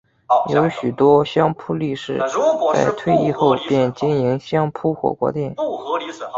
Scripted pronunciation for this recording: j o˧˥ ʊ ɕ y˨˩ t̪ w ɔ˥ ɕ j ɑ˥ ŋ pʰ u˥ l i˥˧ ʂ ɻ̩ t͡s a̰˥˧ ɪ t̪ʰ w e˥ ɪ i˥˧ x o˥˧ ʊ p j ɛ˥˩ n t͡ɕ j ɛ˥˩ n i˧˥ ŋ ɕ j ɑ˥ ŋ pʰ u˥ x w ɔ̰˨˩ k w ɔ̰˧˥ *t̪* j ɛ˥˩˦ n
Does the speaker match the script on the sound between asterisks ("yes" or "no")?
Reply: yes